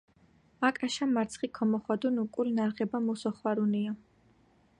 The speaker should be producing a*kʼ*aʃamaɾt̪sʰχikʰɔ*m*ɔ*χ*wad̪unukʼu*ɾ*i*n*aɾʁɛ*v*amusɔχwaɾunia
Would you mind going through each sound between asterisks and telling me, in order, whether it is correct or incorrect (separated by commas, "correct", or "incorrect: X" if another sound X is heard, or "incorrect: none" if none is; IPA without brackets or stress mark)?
correct, correct, correct, incorrect: l, correct, incorrect: b